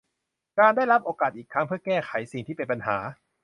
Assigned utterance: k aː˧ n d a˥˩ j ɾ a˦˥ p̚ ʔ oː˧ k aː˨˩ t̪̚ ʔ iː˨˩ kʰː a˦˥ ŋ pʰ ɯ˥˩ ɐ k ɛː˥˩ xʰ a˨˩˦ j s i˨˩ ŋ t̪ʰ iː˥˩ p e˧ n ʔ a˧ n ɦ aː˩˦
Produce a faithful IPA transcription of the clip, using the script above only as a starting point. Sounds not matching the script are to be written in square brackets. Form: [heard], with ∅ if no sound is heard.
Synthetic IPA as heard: k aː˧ n d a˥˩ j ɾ a˦˥ p̚ ʔ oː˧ k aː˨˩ t̪̚ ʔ iː˨˩ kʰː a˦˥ ŋ pʰ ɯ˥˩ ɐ k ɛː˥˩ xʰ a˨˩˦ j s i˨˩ ŋ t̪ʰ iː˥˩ p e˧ n [p] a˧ n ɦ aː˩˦